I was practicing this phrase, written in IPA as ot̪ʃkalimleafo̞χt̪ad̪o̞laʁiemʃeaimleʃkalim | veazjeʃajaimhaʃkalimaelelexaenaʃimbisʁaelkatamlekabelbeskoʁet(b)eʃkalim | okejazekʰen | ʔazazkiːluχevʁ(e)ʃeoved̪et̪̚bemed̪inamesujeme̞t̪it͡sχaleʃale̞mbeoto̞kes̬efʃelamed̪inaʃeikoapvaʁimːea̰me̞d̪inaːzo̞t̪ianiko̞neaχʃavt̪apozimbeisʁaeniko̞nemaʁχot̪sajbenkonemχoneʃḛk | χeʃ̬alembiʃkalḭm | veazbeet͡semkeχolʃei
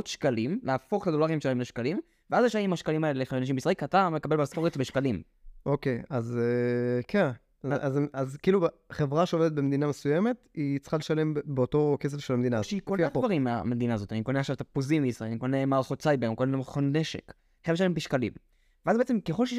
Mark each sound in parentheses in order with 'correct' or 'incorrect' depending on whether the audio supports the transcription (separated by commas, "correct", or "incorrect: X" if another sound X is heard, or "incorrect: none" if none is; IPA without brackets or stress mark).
correct, incorrect: a